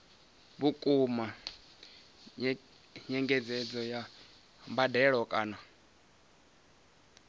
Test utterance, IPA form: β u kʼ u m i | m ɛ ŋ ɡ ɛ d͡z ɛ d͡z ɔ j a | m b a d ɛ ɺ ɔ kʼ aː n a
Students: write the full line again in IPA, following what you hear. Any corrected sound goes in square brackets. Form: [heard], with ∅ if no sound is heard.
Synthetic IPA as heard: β u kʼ u m [a] | [ɲ] ɛ ŋ ɡ ɛ d͡z ɛ d͡z ɔ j a | m b a d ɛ ɺ ɔ kʼ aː n a